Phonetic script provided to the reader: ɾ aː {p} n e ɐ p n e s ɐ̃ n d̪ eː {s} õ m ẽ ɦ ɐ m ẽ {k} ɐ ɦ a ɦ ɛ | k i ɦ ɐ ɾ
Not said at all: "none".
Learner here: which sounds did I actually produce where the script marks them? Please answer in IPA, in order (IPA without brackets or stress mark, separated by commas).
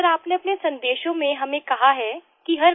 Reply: p, ʃ, k